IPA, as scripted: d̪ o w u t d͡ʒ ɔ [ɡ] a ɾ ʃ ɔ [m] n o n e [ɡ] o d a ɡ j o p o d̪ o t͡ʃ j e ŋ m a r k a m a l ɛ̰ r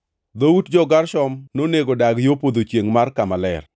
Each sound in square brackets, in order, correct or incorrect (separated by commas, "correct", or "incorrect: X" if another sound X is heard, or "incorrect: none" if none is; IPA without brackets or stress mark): correct, correct, correct